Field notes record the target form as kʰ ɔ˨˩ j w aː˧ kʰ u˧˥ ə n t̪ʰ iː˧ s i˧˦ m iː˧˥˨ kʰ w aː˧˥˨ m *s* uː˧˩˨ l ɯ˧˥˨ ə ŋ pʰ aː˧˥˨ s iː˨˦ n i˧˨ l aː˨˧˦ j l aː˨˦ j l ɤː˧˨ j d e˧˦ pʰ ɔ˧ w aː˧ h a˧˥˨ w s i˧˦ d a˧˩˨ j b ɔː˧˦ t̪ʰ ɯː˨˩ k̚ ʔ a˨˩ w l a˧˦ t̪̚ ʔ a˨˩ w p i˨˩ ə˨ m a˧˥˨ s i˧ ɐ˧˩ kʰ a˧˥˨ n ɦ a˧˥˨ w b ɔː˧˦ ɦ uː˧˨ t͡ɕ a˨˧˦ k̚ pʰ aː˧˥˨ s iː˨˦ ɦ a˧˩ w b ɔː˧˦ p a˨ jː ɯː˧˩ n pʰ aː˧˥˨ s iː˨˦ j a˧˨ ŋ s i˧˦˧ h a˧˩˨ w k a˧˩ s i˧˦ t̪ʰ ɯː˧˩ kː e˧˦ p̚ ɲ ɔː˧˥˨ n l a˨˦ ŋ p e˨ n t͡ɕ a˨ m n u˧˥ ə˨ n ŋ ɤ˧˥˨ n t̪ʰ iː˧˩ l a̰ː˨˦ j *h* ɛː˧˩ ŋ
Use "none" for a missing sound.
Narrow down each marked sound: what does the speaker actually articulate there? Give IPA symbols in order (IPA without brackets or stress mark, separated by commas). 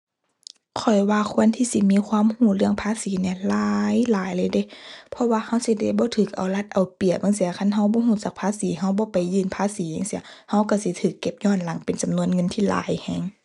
h, h